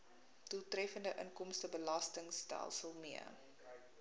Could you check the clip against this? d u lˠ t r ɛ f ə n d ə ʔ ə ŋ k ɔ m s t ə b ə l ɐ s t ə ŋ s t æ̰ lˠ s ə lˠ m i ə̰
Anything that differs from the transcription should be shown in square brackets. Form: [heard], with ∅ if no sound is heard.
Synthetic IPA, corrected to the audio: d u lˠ t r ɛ f ə n d ə ʔ ə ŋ k ɔ m s t ə b ə l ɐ s t ə ŋ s t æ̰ lˠ s ə lˠ m i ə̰